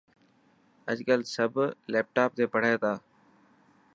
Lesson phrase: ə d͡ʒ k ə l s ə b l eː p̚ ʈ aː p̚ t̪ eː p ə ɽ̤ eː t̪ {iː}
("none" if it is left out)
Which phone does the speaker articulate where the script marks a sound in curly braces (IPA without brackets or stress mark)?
aː